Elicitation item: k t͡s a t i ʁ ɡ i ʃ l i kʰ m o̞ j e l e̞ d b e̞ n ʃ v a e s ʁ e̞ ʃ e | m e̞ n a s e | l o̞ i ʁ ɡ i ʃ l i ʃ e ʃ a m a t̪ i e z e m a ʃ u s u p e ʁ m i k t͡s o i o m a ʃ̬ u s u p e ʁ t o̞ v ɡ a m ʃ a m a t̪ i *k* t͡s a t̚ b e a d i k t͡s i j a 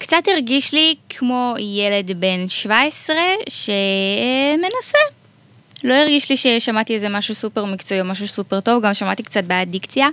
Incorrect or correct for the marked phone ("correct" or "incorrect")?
correct